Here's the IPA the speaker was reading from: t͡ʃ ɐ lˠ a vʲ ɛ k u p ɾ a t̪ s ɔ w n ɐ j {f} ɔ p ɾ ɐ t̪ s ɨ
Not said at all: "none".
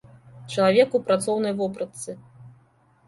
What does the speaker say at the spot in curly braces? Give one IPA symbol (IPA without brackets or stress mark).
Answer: v